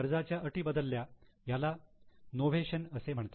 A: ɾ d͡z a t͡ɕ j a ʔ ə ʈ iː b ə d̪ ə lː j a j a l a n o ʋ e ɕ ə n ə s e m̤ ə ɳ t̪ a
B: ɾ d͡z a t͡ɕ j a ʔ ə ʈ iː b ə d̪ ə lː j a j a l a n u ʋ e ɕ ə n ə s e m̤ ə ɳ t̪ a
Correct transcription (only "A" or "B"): A